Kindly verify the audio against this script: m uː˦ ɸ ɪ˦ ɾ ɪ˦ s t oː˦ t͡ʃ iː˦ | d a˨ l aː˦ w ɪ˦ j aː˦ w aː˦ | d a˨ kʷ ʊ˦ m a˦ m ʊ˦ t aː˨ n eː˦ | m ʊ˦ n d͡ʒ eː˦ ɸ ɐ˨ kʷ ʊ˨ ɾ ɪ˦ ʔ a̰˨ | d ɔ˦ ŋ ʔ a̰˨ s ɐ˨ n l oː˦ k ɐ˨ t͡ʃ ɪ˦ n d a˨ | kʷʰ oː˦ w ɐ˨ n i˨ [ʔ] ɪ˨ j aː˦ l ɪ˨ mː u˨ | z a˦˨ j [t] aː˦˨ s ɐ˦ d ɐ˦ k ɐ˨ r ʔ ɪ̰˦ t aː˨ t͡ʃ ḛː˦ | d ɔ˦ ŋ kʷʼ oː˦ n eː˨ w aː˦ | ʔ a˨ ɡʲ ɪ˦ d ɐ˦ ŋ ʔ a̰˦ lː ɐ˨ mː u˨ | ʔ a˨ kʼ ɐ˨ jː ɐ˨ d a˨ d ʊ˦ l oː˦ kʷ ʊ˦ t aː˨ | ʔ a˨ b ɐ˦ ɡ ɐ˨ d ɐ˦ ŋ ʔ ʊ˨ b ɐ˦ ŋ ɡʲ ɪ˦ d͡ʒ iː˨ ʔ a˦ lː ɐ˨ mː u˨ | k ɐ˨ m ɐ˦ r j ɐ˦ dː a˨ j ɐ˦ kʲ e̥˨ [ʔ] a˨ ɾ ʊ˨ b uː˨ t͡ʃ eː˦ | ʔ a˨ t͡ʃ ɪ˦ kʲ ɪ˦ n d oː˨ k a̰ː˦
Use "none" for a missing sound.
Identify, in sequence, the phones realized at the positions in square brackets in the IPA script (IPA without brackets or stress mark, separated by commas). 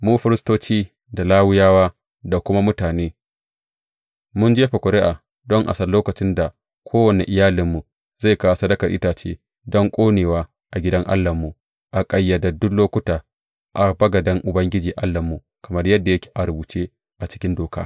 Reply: ʔ, k, ʔ